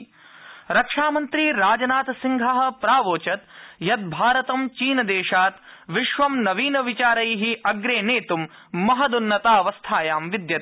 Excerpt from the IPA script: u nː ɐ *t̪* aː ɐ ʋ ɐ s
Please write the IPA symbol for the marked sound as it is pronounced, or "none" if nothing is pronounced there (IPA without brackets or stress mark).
t̪